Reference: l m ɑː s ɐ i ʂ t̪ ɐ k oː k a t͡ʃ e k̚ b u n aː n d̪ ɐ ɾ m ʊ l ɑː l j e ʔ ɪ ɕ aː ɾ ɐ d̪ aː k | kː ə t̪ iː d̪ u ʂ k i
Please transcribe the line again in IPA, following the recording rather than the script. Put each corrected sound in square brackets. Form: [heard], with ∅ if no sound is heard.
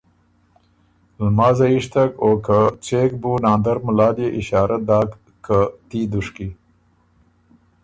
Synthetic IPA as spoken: l m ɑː [z] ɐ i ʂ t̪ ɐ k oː k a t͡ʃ e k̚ b u n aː n d̪ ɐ ɾ m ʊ l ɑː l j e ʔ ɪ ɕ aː ɾ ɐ d̪ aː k | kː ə t̪ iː d̪ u ʂ k i

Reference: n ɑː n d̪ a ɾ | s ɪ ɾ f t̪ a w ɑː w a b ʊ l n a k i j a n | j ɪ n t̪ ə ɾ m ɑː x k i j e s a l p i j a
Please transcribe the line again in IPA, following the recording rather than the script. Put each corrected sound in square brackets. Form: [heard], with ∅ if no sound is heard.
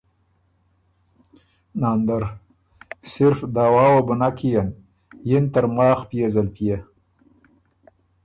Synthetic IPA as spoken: n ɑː n d̪ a ɾ | s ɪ ɾ f [d̪] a w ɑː w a b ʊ [∅] n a k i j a n | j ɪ n t̪ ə ɾ m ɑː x [p] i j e [z] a l p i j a

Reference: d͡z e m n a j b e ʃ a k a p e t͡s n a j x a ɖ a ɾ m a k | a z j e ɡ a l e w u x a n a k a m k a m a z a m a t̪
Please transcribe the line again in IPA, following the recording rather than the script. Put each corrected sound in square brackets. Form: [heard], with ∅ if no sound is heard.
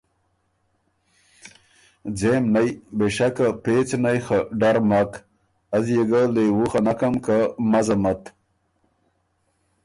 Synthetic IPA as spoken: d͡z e m n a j b e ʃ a k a p e t͡s n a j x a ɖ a ɾ m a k | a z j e ɡ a l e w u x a n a k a m k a m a z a m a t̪

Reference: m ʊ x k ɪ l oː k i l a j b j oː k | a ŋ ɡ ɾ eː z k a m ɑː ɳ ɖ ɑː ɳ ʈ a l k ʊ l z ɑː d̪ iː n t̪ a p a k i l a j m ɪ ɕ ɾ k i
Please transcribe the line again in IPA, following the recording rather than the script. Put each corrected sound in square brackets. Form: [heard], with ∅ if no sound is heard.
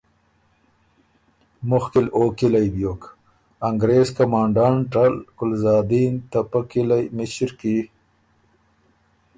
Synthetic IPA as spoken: m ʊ x k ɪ l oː k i l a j b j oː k | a ŋ ɡ ɾ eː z k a m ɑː ɳ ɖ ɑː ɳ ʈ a l k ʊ l z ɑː d̪ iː n t̪ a p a k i l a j m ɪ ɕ ɾ k i

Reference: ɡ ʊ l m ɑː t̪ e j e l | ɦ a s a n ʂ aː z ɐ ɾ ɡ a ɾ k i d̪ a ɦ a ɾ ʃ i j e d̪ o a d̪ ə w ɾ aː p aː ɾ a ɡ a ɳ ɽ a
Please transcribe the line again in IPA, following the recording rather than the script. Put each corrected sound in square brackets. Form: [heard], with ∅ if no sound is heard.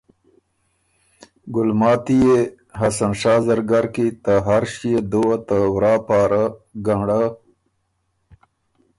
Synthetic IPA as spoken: ɡ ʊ l m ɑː t̪ [i] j e [∅] | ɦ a s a n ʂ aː z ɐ ɾ ɡ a ɾ k i [t̪] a ɦ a ɾ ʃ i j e d̪ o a [t̪] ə w ɾ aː p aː ɾ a ɡ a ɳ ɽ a

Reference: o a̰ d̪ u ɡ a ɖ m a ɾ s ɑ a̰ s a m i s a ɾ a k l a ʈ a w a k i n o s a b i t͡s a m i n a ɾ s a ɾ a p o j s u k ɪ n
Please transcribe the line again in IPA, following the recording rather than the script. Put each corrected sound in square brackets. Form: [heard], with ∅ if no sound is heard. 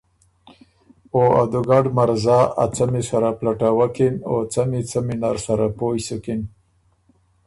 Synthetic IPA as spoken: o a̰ d̪ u ɡ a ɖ m a ɾ [z] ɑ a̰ [t͡s] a m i s a ɾ a [p] l a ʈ a w a k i n o [t͡s] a [m] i t͡s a m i n a ɾ s a ɾ a p o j s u k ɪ n

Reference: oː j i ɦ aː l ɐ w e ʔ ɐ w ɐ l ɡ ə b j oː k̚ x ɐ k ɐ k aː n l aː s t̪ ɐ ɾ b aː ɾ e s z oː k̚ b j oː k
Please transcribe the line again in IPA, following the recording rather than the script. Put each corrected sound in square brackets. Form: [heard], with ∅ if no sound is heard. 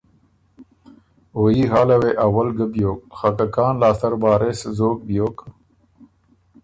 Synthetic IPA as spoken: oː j i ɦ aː l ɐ w e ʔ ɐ w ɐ l ɡ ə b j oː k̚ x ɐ k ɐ k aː n l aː s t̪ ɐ ɾ b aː ɾ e s z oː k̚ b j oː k

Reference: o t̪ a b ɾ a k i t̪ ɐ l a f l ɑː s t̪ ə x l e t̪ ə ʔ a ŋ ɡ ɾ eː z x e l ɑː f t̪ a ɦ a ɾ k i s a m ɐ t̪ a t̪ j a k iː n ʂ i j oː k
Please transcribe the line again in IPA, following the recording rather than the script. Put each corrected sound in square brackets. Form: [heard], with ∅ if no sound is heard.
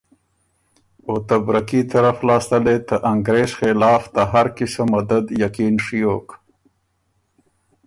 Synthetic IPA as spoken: o t̪ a b ɾ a k i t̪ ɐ [ɾ] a f l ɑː s t̪ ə [∅] l e t̪ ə ʔ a ŋ ɡ ɾ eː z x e l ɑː f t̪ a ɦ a ɾ k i s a m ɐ [d̪] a [d̪] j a k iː n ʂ i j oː k

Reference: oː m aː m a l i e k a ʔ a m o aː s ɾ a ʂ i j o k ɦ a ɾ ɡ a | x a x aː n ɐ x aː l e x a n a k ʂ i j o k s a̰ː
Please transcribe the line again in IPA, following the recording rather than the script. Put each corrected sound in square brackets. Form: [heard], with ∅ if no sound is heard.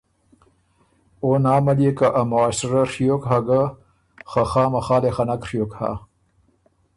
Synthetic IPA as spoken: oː [n] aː m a l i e k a ʔ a m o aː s ɾ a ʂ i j o k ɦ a [∅] ɡ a | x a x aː [m] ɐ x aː l e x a n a k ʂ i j o k [h] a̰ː

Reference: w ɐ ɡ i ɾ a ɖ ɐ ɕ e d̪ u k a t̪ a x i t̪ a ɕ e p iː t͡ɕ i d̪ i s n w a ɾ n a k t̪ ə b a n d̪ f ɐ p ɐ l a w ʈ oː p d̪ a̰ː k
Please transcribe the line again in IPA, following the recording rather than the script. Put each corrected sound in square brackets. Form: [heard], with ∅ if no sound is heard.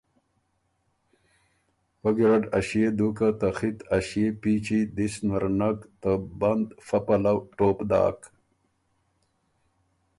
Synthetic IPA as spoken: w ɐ ɡ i ɾ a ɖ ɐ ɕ e d̪ u k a t̪ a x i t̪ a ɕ e p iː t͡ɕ i d̪ i s n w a ɾ n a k t̪ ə b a n d̪ f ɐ p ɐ l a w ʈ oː p d̪ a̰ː k

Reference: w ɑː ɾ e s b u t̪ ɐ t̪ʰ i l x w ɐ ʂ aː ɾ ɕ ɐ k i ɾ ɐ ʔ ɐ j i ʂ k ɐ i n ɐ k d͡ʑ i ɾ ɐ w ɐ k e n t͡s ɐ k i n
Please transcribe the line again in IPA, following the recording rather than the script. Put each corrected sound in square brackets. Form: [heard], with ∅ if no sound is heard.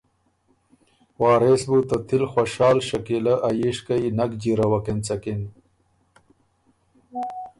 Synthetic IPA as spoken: w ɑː ɾ e s b u t̪ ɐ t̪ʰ i l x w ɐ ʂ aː [l] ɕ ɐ k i [l] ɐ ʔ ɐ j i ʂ k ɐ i n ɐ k d͡ʑ i ɾ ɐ w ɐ k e n t͡s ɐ k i n

